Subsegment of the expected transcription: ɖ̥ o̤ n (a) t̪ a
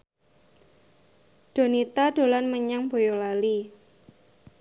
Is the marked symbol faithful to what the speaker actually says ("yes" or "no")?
no